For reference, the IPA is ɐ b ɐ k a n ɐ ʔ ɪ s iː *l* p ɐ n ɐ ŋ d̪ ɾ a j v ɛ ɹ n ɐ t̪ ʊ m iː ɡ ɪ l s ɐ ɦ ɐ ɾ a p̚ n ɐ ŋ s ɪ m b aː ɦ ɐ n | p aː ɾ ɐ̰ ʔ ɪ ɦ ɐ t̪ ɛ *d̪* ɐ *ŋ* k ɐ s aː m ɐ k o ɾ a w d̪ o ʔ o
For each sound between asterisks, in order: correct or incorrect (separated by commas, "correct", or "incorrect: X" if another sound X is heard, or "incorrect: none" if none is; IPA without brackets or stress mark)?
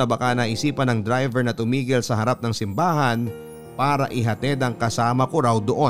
incorrect: none, correct, correct